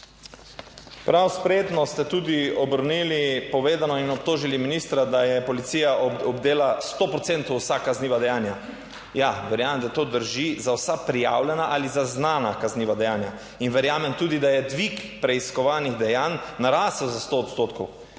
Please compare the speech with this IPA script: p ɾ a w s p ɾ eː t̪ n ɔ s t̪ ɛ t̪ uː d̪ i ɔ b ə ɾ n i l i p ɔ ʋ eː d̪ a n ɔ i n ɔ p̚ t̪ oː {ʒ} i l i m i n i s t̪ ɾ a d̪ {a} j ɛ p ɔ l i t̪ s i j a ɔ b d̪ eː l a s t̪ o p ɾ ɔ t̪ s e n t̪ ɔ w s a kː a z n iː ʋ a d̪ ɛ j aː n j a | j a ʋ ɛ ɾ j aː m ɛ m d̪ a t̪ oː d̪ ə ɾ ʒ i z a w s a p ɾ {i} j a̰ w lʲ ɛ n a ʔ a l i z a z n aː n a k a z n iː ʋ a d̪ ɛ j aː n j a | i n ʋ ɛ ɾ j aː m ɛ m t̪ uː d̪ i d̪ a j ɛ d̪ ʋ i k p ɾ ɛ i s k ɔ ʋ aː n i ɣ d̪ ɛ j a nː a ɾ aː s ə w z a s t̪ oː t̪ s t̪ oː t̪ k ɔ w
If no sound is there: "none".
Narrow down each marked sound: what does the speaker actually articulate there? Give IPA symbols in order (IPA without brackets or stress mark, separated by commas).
ʒ, a, i